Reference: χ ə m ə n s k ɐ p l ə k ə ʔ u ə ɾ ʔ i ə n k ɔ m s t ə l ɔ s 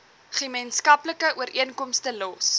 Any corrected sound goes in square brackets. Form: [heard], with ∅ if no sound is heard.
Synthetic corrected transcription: χ ə m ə n s k ɐ p l ə k ə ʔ u ə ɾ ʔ i ə n k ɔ m s t ə l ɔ s